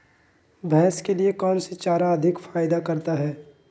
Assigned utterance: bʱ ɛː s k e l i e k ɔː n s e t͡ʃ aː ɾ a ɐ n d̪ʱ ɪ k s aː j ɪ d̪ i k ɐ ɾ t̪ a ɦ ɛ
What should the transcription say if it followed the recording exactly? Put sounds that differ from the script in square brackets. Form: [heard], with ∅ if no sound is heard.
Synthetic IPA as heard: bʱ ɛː s k e l i e k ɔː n s e t͡ʃ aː ɾ a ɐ [∅] d̪ʱ ɪ k [f] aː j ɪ d̪ [a] k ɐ ɾ t̪ a ɦ [ɛː]